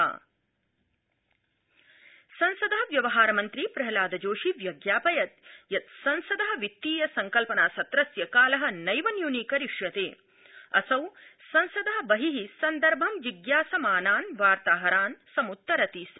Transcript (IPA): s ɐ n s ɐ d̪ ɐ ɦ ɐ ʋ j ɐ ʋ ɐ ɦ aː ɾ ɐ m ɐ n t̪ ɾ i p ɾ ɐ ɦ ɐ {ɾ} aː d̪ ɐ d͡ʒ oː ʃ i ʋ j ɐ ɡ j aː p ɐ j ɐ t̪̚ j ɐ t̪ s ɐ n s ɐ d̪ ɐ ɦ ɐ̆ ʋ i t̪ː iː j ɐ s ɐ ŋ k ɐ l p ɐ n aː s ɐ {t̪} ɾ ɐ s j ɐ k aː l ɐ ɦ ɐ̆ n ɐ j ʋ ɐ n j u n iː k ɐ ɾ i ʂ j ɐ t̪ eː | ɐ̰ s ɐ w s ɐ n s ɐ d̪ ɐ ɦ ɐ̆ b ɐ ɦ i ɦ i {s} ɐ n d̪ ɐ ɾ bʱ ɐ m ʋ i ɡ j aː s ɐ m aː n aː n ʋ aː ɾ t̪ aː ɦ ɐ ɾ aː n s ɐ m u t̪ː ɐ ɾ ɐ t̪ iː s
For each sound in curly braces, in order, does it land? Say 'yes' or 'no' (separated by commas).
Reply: no, yes, yes